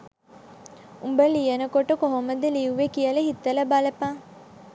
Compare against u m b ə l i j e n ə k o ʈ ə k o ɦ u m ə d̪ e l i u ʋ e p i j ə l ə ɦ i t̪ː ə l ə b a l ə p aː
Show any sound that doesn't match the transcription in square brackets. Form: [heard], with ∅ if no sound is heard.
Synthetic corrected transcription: u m b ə l i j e n ə k o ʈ ə k o ɦ [o] m ə d̪ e l i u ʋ e [k] i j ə l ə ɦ i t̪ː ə l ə b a l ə p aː